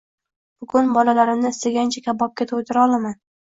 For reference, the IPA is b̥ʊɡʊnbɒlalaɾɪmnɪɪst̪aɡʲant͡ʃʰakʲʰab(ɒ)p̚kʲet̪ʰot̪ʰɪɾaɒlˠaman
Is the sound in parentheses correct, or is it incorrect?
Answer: correct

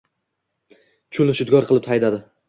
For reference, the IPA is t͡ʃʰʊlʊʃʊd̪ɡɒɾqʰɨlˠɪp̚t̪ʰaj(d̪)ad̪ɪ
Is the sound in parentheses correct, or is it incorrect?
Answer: correct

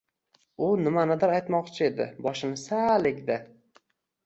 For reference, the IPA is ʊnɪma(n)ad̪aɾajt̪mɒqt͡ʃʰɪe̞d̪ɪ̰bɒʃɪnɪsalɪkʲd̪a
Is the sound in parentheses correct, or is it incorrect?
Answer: correct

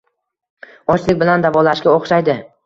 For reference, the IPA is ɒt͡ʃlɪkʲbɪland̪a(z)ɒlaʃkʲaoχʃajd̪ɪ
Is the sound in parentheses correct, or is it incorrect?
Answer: incorrect: v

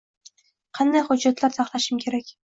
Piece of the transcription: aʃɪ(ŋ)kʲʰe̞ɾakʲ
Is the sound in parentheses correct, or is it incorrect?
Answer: incorrect: m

